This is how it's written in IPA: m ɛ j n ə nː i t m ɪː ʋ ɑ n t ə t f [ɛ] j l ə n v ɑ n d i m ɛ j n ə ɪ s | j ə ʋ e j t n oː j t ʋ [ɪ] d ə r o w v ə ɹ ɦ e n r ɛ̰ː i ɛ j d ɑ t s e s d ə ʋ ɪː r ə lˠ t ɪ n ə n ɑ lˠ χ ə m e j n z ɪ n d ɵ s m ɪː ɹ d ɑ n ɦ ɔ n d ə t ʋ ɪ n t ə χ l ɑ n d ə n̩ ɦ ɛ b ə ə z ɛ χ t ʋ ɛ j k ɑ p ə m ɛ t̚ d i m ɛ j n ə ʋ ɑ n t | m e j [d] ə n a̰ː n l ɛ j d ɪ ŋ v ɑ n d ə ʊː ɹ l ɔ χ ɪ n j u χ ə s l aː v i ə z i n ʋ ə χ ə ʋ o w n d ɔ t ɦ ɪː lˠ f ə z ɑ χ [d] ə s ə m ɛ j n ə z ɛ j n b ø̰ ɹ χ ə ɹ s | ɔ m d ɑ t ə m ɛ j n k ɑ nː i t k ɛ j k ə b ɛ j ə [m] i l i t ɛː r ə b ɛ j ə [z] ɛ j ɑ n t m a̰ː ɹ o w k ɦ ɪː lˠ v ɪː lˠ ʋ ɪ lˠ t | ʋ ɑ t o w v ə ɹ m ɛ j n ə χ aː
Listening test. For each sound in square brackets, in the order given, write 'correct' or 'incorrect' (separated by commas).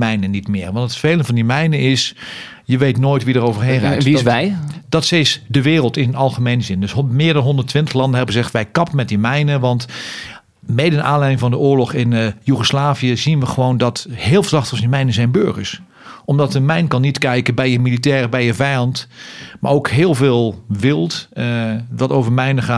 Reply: incorrect, incorrect, correct, incorrect, correct, incorrect